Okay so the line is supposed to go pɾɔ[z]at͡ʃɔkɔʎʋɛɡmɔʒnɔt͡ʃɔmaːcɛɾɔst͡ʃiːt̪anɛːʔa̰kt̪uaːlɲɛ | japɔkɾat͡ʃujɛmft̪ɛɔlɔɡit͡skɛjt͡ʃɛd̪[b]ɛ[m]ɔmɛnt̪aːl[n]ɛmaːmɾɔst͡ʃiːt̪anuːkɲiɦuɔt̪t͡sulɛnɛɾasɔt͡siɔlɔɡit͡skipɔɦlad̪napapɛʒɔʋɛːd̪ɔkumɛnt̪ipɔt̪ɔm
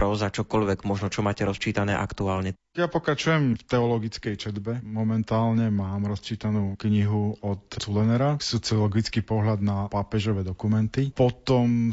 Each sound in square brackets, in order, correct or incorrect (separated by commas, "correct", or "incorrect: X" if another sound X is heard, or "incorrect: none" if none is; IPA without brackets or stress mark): correct, correct, correct, incorrect: ɲ